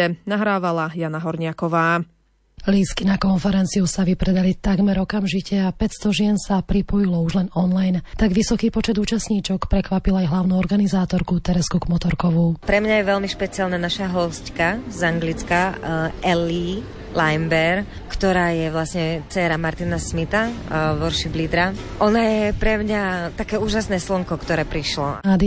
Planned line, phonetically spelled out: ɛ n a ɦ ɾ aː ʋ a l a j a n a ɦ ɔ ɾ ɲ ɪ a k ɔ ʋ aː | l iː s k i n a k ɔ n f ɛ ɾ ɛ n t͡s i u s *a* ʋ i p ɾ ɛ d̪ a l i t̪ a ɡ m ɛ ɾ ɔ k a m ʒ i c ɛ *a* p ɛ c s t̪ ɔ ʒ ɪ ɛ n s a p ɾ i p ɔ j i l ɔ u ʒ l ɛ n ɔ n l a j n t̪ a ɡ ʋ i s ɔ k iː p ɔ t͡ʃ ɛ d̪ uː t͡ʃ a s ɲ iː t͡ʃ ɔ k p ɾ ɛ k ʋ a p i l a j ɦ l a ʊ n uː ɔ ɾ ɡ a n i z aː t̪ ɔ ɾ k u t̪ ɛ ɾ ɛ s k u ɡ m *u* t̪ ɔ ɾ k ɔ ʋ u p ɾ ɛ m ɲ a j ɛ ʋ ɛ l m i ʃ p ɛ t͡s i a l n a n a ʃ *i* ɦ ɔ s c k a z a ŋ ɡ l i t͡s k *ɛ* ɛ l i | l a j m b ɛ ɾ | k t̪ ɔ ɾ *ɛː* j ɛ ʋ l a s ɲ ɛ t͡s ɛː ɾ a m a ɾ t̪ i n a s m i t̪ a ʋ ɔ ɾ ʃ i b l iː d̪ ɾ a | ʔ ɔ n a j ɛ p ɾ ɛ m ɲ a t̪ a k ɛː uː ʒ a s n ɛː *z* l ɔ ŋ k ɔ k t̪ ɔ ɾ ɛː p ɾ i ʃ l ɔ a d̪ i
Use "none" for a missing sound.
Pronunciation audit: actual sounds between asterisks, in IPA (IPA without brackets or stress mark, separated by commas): a, a, ɔ, a, a, aː, s